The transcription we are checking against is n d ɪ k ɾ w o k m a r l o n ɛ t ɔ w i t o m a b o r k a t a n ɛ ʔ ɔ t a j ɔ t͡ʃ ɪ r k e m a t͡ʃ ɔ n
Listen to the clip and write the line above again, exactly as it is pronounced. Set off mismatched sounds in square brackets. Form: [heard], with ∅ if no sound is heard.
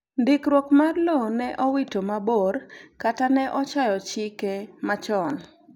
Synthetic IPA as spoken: n d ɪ k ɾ w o k m a r l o n ɛ [ʔ] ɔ w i t o m a b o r k a t a n ɛ ʔ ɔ [t͡ʃ] a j ɔ t͡ʃ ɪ [∅] k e m a t͡ʃ ɔ n

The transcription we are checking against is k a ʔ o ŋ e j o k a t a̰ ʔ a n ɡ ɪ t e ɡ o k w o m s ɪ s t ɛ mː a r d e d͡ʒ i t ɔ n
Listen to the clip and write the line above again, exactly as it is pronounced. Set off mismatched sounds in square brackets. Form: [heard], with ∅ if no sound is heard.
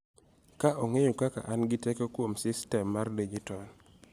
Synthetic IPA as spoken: k a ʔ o ŋ e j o k a [k] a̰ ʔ a n ɡ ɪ t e [k] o k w o m s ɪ s t ɛ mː a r d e d͡ʒ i t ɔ n

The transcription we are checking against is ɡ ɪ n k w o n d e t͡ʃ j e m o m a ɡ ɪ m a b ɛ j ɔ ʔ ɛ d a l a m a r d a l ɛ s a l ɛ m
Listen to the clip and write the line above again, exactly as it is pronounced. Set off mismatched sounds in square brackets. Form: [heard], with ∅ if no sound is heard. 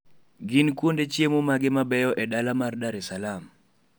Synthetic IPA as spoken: ɡ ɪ n k w o n d e t͡ʃ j e m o m a ɡ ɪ m a b ɛ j ɔ ʔ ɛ d a l a m a r d a [ɾ] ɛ s a l [a] m

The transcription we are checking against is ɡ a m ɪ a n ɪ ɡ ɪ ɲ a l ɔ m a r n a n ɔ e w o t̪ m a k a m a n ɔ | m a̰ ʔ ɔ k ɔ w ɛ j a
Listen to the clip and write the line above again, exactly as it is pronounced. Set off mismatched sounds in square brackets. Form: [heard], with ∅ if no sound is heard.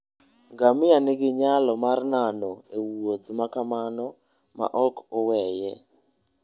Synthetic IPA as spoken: ɡ a m ɪ a n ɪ ɡ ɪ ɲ a l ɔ m a r n a n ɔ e w o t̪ m a k a m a n ɔ | m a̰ ʔ ɔ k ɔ w ɛ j [ɛ]

